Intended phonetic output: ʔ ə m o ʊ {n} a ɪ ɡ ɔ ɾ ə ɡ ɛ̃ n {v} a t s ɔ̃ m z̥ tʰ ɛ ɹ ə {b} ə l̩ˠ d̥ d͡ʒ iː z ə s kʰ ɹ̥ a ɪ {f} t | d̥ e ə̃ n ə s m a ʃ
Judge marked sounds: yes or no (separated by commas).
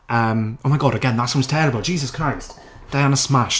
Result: no, no, yes, no